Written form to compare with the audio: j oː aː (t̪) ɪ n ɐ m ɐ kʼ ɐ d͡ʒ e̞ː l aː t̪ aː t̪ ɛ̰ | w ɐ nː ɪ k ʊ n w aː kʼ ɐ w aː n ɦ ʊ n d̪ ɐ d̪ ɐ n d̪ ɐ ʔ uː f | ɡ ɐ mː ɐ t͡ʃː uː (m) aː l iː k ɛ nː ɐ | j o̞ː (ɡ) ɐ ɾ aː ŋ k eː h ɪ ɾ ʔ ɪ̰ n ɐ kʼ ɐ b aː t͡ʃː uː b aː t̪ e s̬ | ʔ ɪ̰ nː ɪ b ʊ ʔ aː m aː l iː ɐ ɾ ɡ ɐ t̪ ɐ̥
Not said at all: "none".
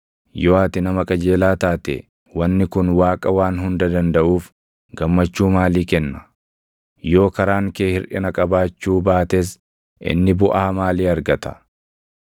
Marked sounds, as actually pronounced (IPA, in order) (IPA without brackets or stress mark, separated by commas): t̪, m, k